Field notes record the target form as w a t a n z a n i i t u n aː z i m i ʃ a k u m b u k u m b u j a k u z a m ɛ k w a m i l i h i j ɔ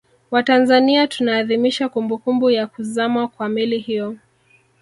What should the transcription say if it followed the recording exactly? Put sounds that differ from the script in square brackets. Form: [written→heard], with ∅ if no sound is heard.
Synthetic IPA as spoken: w a t a n z a n i [i→a] t u n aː [z→ð] i m i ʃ a k u m b u k u m b u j a k u z a m [ɛ→a] k w a m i l i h i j ɔ